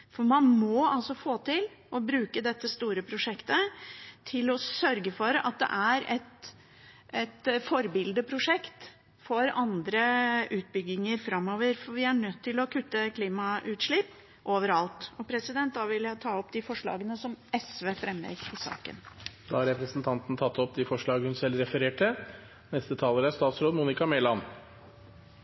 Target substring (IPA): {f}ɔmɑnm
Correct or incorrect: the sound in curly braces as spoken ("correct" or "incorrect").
correct